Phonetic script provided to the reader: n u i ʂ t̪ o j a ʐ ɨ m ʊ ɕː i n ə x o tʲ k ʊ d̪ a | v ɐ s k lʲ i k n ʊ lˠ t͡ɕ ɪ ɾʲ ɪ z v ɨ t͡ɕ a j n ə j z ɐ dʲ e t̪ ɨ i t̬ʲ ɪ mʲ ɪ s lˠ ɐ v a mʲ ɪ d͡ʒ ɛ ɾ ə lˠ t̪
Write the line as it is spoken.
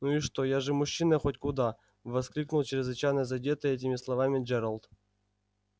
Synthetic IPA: n u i ʂ t̪ o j a ʐ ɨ m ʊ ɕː i n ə x o tʲ k ʊ d̪ a | v ɐ s k lʲ i k n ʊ lˠ t͡ɕ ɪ ɾʲ ɪ z v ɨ t͡ɕ a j n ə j z ɐ dʲ e t̪ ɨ ɛ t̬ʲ ɪ mʲ ɪ s lˠ ɐ v a mʲ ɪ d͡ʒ ɛ ɾ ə lˠ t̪